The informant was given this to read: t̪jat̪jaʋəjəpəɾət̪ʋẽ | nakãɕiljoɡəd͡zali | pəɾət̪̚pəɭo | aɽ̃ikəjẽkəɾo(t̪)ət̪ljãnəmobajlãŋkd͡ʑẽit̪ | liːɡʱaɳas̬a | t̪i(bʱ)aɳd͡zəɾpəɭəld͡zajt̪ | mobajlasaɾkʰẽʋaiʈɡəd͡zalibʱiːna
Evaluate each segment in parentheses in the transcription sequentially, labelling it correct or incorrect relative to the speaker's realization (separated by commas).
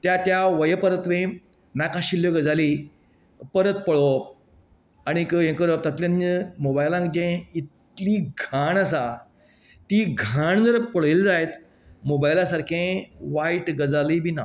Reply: correct, incorrect